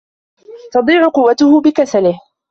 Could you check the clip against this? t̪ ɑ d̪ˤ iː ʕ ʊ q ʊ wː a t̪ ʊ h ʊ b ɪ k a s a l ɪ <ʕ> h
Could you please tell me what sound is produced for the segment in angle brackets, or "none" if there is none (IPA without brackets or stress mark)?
none